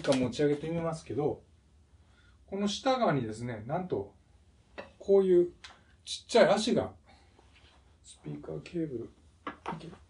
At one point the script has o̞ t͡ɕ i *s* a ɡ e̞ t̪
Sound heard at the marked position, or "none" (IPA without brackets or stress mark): none